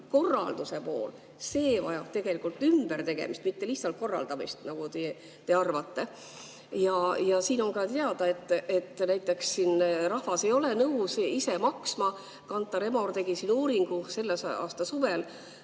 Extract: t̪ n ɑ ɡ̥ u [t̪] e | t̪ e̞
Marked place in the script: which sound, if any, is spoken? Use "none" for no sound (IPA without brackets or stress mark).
t̪